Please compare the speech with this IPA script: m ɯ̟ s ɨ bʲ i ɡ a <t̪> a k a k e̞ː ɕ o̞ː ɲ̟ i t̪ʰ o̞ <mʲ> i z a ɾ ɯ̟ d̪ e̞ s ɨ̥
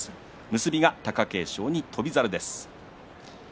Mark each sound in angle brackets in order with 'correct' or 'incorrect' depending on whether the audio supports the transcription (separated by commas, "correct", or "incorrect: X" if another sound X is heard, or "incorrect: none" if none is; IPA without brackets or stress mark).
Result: correct, incorrect: bʲ